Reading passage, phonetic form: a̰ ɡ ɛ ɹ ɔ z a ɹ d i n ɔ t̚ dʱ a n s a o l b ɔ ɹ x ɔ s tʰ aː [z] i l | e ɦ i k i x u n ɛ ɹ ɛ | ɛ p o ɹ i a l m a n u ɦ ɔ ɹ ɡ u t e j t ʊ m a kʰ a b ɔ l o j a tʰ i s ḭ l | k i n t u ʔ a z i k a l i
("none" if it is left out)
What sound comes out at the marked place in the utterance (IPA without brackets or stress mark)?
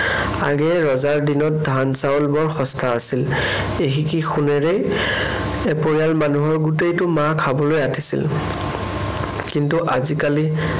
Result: s